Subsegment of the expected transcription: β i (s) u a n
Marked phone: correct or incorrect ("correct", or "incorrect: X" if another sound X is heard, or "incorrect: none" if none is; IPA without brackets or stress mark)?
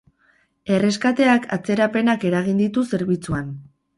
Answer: incorrect: t͡s